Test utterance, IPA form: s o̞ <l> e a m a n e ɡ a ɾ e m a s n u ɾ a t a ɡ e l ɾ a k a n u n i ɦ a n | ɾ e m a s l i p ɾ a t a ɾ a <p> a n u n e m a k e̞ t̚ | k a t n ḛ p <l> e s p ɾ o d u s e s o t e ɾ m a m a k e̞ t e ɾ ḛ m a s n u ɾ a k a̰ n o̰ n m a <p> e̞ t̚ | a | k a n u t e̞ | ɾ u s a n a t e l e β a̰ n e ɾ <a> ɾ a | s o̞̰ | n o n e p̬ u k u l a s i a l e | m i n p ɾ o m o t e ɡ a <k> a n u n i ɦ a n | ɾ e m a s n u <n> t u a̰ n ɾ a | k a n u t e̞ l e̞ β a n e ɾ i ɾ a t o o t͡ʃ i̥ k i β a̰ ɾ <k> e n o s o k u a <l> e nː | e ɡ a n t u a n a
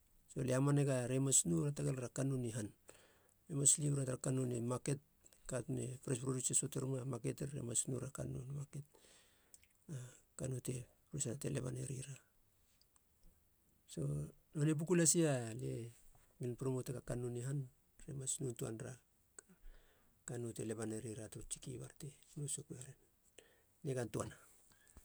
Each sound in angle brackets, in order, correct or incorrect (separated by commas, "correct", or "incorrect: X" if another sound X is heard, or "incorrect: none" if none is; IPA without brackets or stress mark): correct, incorrect: k, incorrect: ɾ, incorrect: k, incorrect: i, correct, correct, incorrect: t, incorrect: ɾ